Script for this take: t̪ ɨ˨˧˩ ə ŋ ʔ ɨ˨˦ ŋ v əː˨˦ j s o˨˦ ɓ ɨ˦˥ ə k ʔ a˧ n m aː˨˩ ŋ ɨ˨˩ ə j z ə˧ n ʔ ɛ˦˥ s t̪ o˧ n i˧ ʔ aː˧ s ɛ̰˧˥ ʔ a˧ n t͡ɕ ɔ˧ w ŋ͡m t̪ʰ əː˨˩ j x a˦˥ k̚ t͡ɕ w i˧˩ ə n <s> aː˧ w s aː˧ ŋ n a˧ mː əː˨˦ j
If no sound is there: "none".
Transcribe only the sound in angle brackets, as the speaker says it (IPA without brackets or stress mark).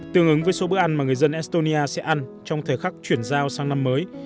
z